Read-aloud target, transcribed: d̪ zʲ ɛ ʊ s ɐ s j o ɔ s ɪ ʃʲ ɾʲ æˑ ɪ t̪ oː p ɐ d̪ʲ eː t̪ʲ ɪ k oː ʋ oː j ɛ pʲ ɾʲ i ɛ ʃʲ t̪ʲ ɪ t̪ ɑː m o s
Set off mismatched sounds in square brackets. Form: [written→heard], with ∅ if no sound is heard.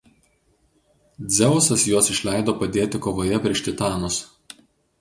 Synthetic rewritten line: d̪ zʲ ɛ ʊ s ɐ s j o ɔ s ɪ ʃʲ [ɾʲ→lʲ] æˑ ɪ [t̪→d̪] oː p ɐ d̪ʲ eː t̪ʲ ɪ k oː ʋ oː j ɛ pʲ ɾʲ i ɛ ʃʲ t̪ʲ ɪ t̪ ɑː [m→n] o s